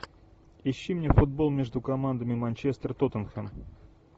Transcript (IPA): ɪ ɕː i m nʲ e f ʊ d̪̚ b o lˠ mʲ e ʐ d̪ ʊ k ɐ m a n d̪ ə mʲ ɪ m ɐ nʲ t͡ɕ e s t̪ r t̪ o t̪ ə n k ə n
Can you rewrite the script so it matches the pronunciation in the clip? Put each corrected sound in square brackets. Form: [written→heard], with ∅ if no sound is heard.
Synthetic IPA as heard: ɪ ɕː i m nʲ e f ʊ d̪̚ b o lˠ mʲ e ʐ d̪ ʊ k ɐ m a n d̪ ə mʲ ɪ m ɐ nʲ t͡ɕ e s t̪ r t̪ o t̪ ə n [k→x] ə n